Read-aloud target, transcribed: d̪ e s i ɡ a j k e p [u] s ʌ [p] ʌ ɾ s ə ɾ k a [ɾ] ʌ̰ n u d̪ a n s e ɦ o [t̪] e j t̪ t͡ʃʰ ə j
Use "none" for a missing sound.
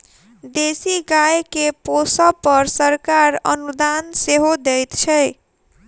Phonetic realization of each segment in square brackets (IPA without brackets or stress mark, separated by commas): o, p, ɾ, d̪